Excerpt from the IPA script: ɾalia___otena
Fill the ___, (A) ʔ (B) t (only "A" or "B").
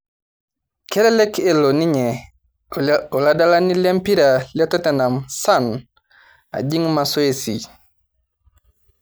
B